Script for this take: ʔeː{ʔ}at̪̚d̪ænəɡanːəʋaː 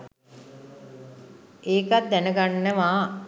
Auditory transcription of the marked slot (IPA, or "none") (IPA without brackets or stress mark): k